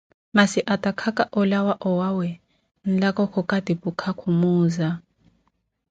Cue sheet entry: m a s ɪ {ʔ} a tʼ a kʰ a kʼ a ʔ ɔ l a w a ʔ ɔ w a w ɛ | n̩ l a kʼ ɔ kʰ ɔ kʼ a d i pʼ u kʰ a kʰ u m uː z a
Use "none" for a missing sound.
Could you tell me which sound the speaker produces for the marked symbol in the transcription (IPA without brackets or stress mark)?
ʔ